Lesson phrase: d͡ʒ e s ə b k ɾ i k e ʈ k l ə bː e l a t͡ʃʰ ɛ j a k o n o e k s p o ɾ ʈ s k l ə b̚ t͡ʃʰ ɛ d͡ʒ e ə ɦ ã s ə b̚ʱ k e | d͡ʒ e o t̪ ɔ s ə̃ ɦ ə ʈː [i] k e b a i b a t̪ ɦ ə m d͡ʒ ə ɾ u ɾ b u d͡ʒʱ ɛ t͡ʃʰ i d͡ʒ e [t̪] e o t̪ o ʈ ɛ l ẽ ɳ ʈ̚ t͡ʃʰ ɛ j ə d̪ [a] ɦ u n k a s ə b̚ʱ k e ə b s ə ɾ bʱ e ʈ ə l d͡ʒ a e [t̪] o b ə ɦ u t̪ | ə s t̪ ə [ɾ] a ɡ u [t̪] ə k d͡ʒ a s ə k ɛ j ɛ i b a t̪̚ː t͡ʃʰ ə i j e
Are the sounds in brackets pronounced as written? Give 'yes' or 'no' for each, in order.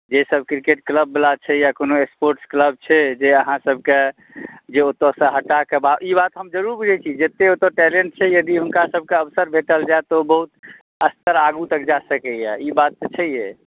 no, yes, no, yes, yes, yes

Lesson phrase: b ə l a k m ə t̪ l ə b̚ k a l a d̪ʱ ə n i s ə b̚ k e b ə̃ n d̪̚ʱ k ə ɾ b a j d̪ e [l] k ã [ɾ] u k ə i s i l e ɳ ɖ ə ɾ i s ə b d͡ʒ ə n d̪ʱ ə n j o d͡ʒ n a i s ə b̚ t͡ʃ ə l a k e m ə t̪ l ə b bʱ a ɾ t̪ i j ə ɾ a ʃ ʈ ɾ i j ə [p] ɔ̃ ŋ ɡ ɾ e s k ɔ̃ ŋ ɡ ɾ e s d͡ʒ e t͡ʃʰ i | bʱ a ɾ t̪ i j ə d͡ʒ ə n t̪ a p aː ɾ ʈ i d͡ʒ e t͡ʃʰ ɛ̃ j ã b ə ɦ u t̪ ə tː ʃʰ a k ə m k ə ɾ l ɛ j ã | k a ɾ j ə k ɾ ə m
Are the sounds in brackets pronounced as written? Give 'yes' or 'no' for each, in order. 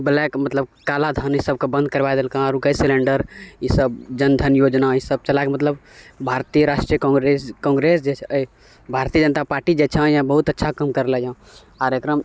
yes, yes, no

